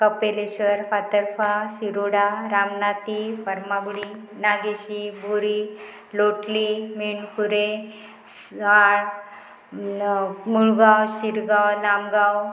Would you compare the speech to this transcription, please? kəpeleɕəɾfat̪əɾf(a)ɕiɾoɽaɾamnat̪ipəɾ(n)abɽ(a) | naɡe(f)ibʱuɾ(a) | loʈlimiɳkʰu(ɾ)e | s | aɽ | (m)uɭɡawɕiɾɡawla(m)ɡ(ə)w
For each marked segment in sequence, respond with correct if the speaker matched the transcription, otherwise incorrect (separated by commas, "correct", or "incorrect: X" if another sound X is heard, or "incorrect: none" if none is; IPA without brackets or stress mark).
correct, incorrect: m, incorrect: i, incorrect: ɕ, incorrect: i, correct, correct, correct, incorrect: a